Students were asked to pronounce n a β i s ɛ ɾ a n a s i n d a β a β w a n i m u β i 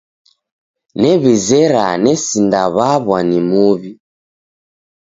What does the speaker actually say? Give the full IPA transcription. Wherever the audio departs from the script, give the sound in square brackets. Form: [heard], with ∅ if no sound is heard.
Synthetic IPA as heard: n [ɛ] β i [z] ɛ ɾ a n [ɛ] s i n d a β a β w a n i m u β i